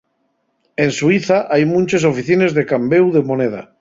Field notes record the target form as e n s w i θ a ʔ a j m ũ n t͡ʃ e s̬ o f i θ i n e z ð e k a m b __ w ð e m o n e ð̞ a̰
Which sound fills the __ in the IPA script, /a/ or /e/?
e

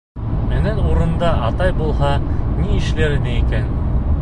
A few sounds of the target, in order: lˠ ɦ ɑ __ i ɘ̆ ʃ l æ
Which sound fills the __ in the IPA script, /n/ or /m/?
n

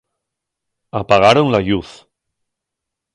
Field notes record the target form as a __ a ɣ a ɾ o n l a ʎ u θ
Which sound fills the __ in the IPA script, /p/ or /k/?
p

